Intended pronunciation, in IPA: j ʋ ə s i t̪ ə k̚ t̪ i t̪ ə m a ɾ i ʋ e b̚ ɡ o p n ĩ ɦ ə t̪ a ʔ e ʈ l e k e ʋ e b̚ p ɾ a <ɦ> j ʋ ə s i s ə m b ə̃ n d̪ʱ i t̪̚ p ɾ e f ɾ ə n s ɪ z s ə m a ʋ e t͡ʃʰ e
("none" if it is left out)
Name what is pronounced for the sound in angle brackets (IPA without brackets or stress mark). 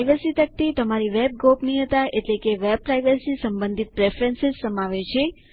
none